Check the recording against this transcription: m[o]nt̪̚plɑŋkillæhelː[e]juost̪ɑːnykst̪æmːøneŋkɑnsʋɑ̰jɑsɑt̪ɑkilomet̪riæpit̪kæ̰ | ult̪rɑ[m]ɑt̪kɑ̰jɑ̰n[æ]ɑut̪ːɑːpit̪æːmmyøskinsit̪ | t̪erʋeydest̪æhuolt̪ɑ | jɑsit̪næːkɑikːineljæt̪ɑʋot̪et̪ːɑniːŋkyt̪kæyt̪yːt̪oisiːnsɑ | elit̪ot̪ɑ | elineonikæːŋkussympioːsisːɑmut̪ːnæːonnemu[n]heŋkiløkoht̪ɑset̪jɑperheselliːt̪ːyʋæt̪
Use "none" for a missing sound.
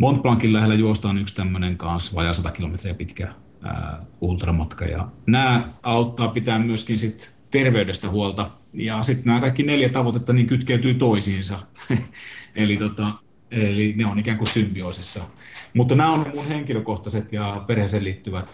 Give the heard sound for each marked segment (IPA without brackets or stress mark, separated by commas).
o, æ, m, æː, n